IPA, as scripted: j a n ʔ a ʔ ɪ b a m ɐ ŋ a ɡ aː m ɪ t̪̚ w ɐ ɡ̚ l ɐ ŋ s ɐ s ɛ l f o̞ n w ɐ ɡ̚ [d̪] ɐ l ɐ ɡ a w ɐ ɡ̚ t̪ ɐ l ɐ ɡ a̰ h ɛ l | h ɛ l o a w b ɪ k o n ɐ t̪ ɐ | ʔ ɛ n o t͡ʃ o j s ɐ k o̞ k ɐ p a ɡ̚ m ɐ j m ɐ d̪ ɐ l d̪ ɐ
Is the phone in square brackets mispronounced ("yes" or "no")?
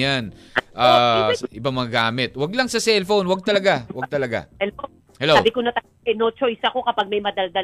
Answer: yes